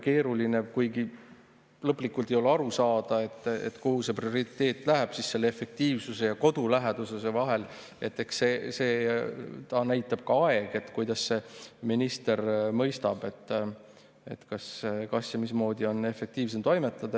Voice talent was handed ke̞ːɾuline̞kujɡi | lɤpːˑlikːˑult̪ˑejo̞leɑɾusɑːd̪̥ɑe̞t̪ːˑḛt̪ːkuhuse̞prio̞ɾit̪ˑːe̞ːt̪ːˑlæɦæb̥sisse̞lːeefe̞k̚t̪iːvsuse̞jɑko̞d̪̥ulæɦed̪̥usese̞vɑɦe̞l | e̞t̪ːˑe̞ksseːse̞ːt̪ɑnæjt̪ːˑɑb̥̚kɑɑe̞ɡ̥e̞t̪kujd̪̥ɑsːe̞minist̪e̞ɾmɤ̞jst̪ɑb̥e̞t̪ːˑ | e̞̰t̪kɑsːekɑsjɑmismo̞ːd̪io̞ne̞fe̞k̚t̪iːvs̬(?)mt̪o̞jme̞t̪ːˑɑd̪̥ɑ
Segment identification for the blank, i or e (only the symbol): e